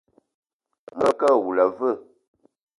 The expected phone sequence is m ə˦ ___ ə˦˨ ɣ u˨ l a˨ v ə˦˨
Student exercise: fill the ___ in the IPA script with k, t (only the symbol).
k